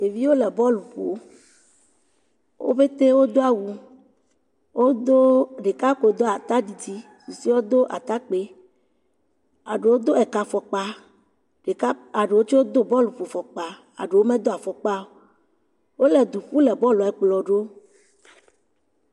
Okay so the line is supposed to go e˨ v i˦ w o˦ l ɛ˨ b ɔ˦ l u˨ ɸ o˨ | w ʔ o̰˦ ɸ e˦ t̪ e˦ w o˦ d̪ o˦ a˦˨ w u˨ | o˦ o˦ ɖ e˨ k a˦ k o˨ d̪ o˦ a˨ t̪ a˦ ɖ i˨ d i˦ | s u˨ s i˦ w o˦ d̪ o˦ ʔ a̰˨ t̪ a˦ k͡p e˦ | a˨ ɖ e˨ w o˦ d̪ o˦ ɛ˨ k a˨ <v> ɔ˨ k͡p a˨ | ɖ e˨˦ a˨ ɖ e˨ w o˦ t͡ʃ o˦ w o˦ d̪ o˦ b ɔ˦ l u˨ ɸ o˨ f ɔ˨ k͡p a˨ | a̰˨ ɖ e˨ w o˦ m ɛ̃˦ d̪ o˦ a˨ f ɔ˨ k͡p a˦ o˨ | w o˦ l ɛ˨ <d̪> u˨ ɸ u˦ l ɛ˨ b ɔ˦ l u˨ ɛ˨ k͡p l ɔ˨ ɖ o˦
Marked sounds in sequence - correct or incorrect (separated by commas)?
incorrect, correct